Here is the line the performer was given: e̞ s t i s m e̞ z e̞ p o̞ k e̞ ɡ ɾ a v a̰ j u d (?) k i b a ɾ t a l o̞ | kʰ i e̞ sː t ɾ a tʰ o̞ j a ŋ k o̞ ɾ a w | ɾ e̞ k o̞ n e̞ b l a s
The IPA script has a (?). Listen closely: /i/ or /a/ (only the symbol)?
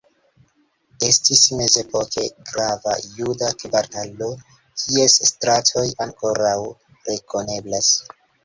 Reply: a